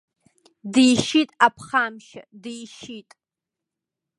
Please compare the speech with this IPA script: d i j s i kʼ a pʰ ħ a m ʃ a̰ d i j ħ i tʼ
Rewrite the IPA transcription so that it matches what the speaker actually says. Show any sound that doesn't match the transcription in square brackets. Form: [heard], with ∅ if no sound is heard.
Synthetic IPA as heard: d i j [ʃ] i [tʼ] a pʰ [χ] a m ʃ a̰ d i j [ʃ] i tʼ